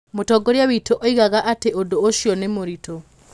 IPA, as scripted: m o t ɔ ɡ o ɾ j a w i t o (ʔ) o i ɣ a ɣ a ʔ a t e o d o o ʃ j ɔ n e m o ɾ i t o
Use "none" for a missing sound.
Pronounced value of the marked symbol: ʔ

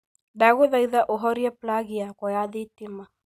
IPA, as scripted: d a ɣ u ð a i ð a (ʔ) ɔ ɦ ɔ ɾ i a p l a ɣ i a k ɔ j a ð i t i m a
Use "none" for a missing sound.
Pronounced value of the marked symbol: ʔ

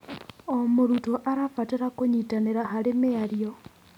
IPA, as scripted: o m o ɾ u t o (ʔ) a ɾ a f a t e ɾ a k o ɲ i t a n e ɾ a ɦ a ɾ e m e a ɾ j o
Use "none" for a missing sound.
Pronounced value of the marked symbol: ʔ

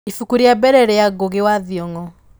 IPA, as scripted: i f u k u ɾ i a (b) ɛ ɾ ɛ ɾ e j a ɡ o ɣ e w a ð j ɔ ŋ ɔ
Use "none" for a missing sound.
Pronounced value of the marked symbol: b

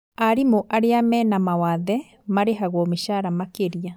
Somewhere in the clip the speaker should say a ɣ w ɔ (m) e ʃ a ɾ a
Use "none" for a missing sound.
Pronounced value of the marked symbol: m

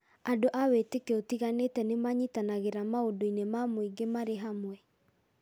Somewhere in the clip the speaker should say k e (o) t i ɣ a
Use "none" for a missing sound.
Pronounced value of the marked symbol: o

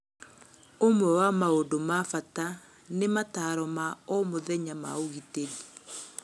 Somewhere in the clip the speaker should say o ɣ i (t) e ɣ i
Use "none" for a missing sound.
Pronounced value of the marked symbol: t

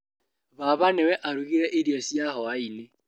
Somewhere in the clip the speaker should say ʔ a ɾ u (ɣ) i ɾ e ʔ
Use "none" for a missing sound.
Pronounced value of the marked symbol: ɣ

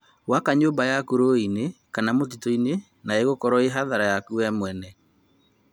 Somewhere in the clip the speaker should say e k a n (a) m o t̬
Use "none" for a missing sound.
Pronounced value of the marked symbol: a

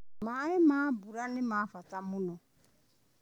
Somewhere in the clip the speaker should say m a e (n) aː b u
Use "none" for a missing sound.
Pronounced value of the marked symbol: m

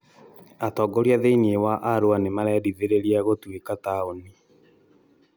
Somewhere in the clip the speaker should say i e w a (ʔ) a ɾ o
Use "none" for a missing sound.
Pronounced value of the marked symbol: ʔ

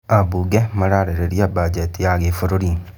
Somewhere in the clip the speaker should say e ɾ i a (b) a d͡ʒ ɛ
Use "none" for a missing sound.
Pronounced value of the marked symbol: b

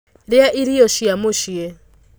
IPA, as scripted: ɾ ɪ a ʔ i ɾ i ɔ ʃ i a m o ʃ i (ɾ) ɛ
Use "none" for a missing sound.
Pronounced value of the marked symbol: none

